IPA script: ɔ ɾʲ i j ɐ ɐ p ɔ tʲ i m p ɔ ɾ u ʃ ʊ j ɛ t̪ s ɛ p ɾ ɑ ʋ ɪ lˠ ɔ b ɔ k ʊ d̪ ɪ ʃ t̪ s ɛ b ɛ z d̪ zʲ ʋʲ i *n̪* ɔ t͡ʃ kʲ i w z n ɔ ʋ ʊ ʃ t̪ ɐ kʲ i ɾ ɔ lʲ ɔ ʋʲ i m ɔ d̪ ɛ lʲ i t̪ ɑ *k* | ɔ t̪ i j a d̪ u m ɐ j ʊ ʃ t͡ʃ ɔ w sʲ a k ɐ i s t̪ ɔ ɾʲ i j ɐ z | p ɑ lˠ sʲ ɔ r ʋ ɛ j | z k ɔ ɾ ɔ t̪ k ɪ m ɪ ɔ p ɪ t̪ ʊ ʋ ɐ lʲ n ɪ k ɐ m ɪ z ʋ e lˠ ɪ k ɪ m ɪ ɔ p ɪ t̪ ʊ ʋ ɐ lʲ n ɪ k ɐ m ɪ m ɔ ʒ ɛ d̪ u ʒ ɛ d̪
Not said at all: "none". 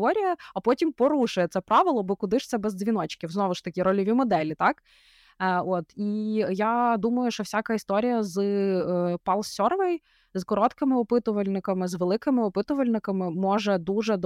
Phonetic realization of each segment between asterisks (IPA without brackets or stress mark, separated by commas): n̪, k